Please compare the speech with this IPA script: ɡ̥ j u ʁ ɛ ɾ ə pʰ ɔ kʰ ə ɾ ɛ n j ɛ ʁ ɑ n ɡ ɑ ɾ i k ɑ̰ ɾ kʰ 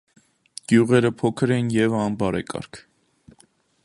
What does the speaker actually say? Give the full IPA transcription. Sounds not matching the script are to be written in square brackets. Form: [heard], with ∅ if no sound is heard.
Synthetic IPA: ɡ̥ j u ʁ ɛ ɾ ə pʰ ɔ kʰ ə ɾ ɛ n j ɛ [v] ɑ n [b] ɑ ɾ [ɛ] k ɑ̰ ɾ kʰ